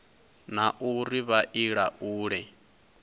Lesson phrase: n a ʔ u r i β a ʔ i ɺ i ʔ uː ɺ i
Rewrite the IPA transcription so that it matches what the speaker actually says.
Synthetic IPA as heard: n a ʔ u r i β a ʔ i ɺ a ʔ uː ɺ ɛ